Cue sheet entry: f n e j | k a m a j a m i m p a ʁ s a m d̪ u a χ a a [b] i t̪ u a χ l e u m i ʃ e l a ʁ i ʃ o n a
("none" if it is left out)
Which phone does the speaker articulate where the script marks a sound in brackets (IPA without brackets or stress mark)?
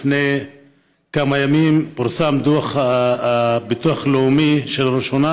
b